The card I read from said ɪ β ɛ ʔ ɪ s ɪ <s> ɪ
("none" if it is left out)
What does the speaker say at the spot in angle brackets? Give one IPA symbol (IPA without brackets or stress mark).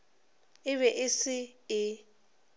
none